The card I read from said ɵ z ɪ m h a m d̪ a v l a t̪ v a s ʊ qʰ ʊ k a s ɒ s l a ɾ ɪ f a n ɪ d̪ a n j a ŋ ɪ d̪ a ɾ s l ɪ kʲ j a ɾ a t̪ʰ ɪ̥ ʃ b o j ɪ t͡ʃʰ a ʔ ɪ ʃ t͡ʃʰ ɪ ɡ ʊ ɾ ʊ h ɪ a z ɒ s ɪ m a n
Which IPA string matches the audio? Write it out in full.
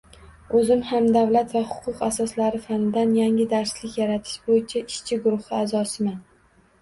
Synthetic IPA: ɵ z ɪ m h a m d̪ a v l a t̪ v a h ʊ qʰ ʊ q a s ɒ s l a ɾ ɪ f a n ɪ d̪ a n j a ŋ ɪ d̪ a ɾ s l ɪ kʲ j a ɾ a t̪ʰ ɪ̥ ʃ b o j ɪ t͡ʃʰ a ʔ ɪ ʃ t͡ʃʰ ɪ ɡ ʊ ɾ ʊ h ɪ a z ɒ s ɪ m a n